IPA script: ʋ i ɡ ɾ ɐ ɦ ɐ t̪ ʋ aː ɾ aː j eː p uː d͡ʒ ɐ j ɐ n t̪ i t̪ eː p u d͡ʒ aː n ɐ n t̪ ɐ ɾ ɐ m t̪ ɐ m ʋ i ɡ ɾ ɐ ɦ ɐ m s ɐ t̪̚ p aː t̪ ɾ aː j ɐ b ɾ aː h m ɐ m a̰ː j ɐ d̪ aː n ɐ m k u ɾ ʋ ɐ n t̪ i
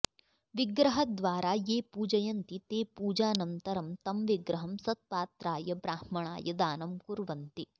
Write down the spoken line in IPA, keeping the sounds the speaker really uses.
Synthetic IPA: ʋ i ɡ ɾ ɐ ɦ ɐ d̪ ʋ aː ɾ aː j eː p uː d͡ʒ ɐ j ɐ n t̪ i t̪ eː p uː d͡ʒ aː n ɐ n t̪ ɐ ɾ ɐ m t̪ ɐ m ʋ i ɡ ɾ ɐ ɦ ɐ m s ɐ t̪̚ p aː t̪ ɾ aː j ɐ b ɾ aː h m ɐ ɳ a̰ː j ɐ d̪ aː n ɐ m k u ɾ ʋ ɐ n t̪ i